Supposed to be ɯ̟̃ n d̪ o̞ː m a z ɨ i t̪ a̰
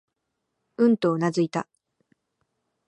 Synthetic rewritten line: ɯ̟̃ n t̪ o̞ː n a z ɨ i t̪ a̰